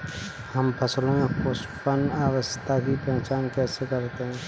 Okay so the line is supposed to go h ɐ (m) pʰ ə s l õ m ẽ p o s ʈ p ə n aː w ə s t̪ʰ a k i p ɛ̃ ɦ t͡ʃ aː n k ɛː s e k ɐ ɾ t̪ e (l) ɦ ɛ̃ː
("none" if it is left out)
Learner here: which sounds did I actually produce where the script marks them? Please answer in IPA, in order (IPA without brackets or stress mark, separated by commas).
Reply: m, none